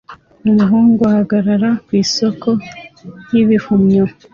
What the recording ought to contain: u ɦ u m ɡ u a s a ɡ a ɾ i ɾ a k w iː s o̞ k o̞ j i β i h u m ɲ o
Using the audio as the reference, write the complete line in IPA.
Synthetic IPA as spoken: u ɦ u ŋ ɡ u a h a ɡ a ɾ a ɾ a k w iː s o̞ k o̞ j i β i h u m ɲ o